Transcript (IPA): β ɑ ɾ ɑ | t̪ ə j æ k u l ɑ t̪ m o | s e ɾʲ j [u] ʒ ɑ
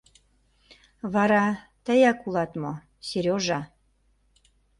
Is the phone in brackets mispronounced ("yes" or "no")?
yes